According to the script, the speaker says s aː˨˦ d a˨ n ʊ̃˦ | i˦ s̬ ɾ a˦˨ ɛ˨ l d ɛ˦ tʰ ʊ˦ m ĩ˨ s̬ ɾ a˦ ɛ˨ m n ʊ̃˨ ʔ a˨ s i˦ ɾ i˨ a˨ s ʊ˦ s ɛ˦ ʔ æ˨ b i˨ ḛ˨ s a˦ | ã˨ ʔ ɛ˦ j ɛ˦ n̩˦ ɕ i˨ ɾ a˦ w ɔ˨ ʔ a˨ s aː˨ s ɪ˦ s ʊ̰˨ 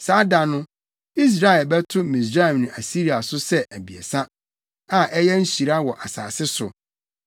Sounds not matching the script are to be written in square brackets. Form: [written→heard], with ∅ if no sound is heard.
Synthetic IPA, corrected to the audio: s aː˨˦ d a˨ n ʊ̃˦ | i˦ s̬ ɾ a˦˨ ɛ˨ l [d→b] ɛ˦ tʰ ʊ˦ m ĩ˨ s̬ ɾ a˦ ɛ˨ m n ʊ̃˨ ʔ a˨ s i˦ ɾ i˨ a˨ s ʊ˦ s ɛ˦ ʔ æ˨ b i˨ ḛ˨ s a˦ | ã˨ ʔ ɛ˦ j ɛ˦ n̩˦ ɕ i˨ ɾ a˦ w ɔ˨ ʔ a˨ s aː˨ s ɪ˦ s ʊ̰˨